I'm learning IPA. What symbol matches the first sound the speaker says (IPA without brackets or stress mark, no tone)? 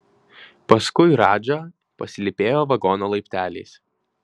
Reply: p